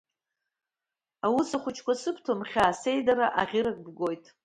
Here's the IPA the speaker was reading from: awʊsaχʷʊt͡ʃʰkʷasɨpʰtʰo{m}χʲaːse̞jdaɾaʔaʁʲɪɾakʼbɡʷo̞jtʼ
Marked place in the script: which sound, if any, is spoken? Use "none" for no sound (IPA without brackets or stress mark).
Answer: m